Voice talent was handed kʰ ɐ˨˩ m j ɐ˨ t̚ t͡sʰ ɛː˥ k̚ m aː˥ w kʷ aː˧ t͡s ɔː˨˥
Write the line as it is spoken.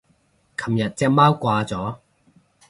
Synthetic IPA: kʰ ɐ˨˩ m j ɐ˨ t̚ t͡s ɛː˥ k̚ m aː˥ w kʷ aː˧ t͡s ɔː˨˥